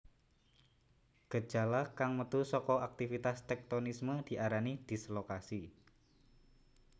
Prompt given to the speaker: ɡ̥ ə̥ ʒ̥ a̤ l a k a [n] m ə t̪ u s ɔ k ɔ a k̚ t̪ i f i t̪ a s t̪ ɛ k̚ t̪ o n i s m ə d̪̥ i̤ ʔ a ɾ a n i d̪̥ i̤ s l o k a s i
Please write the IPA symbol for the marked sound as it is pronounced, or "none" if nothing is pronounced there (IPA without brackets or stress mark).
ŋ